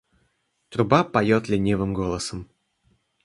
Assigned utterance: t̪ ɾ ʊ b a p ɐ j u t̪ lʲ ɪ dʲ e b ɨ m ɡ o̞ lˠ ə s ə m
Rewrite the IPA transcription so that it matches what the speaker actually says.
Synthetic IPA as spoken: t̪ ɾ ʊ b a p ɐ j o t̪ lʲ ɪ nʲ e v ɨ m ɡ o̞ lˠ ə s ə m

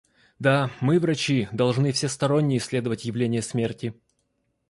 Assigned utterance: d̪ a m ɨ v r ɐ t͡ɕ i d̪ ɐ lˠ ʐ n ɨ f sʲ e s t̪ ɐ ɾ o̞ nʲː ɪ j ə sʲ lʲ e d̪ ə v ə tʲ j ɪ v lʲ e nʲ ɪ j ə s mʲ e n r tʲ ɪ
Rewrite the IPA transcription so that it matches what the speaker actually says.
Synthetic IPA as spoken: d̪ a m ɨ v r ɐ t͡ɕ i d̪ ɐ lˠ ʐ n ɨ f sʲ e s t̪ ɐ ɾ o̞ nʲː ɪ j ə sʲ lʲ e d̪ ə v ə tʲ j ɪ v lʲ e nʲ ɪ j ə s mʲ e r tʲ ɪ

